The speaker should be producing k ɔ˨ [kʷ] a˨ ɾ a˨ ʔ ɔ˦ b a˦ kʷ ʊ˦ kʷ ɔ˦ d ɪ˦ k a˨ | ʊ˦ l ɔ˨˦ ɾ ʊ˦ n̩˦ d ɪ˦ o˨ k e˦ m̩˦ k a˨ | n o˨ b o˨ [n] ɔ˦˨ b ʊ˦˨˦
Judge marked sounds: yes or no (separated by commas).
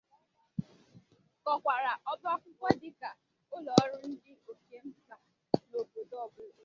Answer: yes, no